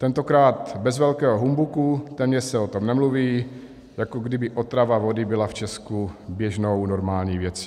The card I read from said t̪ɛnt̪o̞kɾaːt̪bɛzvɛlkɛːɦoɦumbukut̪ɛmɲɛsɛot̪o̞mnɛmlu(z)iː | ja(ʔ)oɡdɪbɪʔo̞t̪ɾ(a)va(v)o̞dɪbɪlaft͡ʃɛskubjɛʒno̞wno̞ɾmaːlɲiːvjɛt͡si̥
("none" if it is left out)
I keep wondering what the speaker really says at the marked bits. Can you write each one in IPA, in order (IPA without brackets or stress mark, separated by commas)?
v, k, a, v